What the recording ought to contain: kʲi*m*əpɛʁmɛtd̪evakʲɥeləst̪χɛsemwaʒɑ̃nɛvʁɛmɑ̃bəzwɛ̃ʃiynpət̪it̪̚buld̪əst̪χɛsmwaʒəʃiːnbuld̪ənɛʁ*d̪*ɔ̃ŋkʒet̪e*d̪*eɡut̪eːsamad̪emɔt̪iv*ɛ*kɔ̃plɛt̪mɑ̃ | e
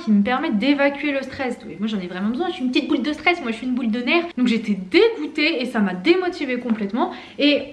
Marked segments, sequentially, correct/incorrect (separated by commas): correct, correct, correct, incorrect